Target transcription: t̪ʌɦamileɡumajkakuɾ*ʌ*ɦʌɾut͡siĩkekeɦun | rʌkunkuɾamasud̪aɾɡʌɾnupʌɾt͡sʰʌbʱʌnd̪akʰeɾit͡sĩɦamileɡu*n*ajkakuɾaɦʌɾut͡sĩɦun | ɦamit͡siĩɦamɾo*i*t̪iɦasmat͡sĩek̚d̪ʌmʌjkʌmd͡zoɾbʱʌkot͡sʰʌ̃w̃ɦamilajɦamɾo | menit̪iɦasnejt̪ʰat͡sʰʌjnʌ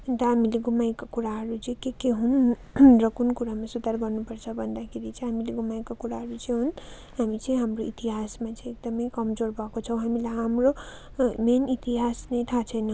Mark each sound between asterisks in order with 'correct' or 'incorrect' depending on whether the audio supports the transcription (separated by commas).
incorrect, incorrect, correct